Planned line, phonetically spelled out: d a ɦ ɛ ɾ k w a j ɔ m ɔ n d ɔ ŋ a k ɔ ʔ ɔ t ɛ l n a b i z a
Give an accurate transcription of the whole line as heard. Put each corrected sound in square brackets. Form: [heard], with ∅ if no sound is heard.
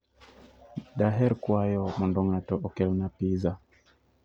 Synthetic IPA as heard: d a ɦ ɛ ɾ k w a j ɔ m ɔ n d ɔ ŋ a [t] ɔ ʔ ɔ [k] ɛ l n a [p] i z a